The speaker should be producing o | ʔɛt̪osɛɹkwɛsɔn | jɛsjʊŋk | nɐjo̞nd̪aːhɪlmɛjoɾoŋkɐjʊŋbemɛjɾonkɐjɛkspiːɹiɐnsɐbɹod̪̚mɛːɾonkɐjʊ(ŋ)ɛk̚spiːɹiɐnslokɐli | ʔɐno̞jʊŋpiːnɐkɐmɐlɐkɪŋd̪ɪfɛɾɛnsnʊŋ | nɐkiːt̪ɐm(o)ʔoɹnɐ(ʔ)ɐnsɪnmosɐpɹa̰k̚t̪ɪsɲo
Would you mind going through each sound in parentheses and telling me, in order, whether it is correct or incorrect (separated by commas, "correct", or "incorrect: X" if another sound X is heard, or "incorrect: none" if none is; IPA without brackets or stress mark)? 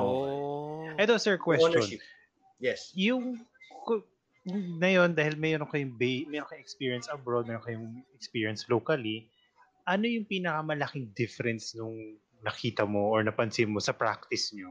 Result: correct, correct, incorrect: p